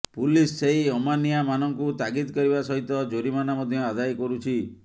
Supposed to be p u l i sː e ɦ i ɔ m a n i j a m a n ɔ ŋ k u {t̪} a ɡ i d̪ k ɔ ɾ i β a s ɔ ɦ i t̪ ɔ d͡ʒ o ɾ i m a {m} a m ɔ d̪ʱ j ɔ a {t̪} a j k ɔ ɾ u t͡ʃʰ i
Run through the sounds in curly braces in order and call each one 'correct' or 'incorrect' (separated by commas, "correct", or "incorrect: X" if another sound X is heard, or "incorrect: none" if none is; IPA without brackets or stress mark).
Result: correct, incorrect: n, incorrect: d̪